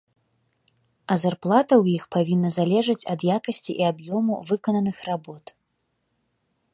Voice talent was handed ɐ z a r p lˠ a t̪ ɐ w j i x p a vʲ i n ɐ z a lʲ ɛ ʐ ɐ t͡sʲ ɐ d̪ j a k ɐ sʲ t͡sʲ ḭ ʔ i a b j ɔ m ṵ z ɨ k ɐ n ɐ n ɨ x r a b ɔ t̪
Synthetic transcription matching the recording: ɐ z a r p lˠ a t̪ ɐ w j i x p a vʲ i nː ɐ z a lʲ ɛ ʐ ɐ t͡sʲ ɐ d̪ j a k ɐ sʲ t͡sʲ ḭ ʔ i a b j ɔ m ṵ v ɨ k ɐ n ɐ n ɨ x r a b ɔ t̪